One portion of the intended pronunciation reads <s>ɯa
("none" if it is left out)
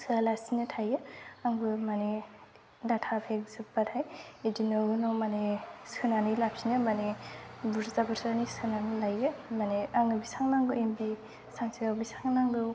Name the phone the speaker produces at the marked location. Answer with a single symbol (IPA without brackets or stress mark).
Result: s